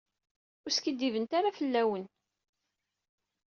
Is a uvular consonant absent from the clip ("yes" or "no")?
yes